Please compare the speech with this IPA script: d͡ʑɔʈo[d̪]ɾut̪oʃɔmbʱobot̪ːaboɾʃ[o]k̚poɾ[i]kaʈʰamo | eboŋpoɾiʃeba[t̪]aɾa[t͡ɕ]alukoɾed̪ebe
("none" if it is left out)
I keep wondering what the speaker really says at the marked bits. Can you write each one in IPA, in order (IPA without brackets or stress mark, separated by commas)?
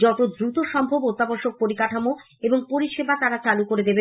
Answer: d̪, o, i, t̪, t͡ɕ